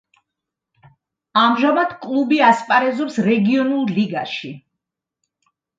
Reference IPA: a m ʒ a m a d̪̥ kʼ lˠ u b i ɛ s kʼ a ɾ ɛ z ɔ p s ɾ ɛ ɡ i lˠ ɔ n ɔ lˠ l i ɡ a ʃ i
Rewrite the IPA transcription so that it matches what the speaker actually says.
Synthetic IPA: a m ʒ a m a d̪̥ kʼ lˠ u b i a s pʼ a ɾ ɛ z ɔ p s ɾ ɛ ɡ i ɔ n u lˠ l i ɡ a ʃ i

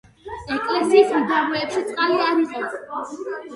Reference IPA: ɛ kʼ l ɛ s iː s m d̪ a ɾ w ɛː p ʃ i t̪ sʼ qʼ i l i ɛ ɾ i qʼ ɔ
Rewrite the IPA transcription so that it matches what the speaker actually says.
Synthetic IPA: ɛ kʼ l ɛ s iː s m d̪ a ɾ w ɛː p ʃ i t̪ sʼ qʼ a l i a ɾ i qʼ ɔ

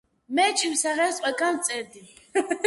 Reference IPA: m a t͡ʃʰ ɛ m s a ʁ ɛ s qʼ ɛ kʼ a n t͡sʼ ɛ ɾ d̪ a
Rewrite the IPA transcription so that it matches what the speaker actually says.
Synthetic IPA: m ɛ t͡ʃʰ i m s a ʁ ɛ s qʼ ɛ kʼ a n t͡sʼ ɛ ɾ d̪ i

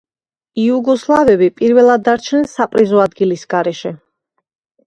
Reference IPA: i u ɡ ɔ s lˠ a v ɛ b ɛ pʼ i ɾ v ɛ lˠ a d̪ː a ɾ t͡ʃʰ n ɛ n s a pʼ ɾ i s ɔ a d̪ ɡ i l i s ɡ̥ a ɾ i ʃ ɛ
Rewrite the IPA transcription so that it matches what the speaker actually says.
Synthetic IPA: i u ɡ ɔ s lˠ a v ɛ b i pʼ i ɾ v ɛ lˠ a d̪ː a ɾ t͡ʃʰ n ɛ n s a pʼ ɾ i z ɔ a d̪ ɡ i l i s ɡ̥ a ɾ ɛ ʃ ɛ

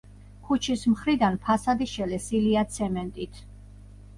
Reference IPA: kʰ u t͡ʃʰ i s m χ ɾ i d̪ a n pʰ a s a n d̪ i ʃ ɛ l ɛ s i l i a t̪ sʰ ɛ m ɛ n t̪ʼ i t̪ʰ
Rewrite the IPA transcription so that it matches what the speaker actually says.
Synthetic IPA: kʰ u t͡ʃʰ i s m χ ɾ i d̪ a n pʰ a s a d̪ i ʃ ɛ l ɛ s i l i a t̪ sʰ ɛ m ɛ n t̪ʼ i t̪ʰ

